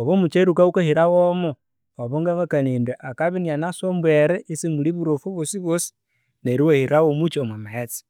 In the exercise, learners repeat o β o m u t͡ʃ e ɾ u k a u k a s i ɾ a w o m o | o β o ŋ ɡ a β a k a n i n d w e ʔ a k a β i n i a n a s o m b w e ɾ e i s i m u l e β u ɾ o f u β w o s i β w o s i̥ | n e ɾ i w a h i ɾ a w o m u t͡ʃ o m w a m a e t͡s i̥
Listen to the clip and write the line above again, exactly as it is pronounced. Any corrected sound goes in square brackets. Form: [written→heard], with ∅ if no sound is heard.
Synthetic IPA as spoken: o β o m u t͡ʃ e ɾ u k a u k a [s→h] i ɾ a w o m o | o β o ŋ ɡ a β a k a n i n d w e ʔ a k a β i n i a n a s o m b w e ɾ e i s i m u l [e→i] β u ɾ o f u β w o s i β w o s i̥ | n e ɾ i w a h i ɾ a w o m u t͡ʃ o m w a m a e t͡s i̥